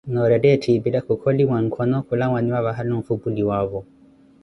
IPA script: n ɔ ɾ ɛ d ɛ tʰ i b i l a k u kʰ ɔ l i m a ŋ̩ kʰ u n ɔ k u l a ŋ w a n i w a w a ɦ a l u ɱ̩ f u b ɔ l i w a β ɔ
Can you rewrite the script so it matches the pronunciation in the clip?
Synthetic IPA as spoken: n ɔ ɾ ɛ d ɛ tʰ i b i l a k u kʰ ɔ l i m a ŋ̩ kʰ ɔ n ɔ k u l a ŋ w a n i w a β a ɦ a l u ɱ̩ f u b u l i w a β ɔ

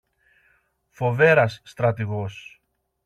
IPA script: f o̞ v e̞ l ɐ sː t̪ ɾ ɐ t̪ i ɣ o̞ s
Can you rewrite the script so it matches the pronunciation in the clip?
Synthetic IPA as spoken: f o̞ v e̞ ɾ ɐ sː t̪ ɾ ɐ t̪ i ɣ o̞ s

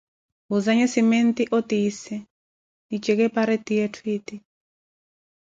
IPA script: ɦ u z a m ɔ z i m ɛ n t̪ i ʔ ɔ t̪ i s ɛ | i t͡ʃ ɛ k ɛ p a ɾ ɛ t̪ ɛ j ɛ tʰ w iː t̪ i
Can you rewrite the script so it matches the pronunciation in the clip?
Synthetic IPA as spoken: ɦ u z a ɲ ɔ s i m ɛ n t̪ i ʔ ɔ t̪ i s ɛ | i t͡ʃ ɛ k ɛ p a ɾ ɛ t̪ i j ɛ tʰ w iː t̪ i

